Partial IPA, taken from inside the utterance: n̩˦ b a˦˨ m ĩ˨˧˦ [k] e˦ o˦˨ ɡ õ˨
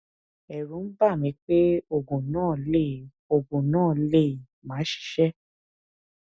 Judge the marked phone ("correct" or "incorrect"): incorrect